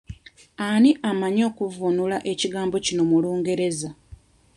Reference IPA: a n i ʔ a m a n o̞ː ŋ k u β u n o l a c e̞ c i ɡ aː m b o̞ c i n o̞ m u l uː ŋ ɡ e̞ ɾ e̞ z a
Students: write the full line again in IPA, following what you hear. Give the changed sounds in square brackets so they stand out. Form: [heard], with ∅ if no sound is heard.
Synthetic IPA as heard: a n i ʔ a m a [ɲ] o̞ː [∅] k u [v] u n [u] l a [ʔ] e̞ c i ɡ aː m b o̞ c i n o̞ m u l uː ŋ ɡ e̞ ɾ e̞ z a